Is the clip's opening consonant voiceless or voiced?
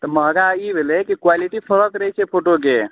voiceless